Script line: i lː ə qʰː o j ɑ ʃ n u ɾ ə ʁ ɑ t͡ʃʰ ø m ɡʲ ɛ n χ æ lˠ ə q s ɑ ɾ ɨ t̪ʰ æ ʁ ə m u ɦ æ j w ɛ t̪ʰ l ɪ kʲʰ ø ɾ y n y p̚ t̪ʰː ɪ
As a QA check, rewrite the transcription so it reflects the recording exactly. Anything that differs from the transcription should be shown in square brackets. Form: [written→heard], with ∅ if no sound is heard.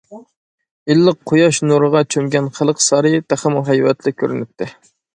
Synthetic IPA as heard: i lː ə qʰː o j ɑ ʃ n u ɾ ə ʁ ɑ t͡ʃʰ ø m ɡʲ ɛ n χ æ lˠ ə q s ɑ ɾ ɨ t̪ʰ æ [ʁ→χ] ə m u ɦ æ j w ɛ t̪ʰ l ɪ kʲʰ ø ɾ y n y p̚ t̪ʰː ɪ